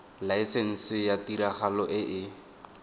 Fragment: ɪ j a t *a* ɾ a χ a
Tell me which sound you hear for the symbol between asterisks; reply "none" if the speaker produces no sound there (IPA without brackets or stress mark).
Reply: i